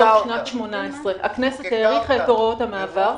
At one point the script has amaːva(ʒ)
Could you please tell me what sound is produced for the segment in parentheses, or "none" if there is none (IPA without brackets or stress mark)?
ʁ